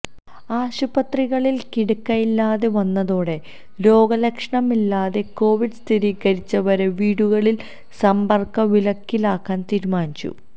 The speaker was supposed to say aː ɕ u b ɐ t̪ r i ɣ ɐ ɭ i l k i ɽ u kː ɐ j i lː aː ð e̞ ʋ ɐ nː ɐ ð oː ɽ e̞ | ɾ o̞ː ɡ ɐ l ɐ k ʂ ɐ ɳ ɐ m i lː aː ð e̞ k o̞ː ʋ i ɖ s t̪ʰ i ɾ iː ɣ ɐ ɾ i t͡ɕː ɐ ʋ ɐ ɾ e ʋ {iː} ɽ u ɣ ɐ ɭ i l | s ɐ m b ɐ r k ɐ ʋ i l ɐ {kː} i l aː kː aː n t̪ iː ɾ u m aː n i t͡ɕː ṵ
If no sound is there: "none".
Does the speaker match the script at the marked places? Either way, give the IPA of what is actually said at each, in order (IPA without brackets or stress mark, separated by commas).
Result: iː, kː